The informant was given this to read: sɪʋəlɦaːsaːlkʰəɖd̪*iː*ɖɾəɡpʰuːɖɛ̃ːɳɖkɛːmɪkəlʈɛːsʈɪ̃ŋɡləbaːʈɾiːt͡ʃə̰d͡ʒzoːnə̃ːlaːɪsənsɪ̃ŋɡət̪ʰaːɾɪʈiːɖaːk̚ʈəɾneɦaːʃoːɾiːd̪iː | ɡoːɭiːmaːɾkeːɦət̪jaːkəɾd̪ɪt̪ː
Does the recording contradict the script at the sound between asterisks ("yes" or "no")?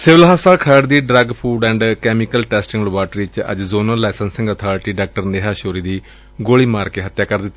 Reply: no